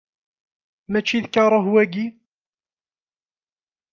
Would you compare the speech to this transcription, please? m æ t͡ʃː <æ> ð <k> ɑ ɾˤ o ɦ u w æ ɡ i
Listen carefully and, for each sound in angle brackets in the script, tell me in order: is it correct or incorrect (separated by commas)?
incorrect, correct